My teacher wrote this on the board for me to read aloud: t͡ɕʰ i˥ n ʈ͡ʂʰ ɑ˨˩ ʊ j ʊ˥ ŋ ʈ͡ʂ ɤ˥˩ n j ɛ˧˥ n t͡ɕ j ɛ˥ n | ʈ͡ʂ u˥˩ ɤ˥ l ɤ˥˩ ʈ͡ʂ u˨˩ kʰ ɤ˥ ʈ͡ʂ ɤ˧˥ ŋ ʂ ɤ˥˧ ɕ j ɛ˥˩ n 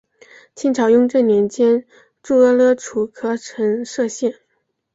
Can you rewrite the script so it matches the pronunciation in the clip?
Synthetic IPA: t͡ɕʰ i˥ n ʈ͡ʂʰ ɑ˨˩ ʊ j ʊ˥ ŋ ʈ͡ʂ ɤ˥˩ n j ɛ˧˥ n t͡ɕ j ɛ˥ n | ʈ͡ʂ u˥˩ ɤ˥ l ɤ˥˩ ʈ͡ʂʰ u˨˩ kʰ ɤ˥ ʈ͡ʂʰ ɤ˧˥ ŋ ʂ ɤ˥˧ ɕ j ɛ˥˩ n